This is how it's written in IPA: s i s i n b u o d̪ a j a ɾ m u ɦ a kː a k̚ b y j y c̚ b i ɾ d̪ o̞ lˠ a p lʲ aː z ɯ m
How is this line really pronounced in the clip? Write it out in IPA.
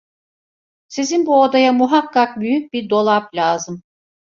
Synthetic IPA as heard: s i z i n b u o d̪ a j a m u ɦ a kː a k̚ b y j y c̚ b i ɾ d̪ o̞ lˠ a p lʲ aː z ɯ m